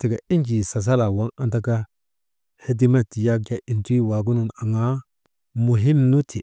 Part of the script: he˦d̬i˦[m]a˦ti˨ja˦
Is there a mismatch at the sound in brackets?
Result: no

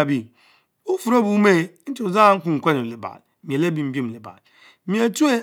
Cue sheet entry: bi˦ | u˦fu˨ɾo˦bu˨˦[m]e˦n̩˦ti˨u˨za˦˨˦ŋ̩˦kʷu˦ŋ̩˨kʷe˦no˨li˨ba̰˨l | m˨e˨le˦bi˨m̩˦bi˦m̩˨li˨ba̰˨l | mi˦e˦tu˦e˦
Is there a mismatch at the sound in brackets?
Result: no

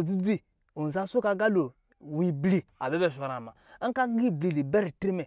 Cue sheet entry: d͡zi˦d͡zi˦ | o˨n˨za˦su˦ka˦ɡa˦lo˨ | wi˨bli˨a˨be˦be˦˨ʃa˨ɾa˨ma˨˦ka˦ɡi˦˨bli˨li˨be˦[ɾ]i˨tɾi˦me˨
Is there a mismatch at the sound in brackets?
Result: no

